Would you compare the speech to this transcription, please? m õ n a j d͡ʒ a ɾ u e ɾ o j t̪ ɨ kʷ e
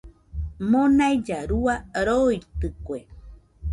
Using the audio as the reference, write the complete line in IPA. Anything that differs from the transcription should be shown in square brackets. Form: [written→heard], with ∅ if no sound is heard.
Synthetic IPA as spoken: m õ n a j d͡ʒ a ɾ u [e→a] ɾ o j t̪ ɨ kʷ e